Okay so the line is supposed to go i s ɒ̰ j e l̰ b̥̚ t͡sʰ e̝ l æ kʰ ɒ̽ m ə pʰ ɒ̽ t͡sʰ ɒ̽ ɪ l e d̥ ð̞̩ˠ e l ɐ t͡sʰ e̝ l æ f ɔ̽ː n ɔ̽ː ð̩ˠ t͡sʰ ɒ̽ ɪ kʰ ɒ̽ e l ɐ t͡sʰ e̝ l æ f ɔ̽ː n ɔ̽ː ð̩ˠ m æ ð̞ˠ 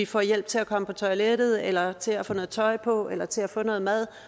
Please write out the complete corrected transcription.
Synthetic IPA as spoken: i f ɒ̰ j e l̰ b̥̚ t͡sʰ e̝ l æ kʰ ɒ̽ m ə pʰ ɒ̽ t͡sʰ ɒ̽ ɪ l e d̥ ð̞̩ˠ e l ɐ t͡sʰ e̝ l æ f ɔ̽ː n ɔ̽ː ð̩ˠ t͡sʰ ɒ̽ ɪ pʰ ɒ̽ e l ɐ t͡sʰ e̝ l æ f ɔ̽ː n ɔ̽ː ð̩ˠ m æ ð̞ˠ